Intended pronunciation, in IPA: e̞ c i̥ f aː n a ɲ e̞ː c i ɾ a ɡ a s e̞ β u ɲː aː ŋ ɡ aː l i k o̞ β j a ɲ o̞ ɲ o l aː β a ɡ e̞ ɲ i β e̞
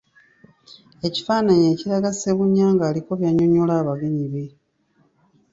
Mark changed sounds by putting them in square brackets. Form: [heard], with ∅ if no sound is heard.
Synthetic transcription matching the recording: e̞ c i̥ f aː n a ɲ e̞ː c i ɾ a ɡ a s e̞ β u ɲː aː ŋ ɡ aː l i k o̞ β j a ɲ o̞ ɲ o l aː β a ɡ e̞ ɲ i β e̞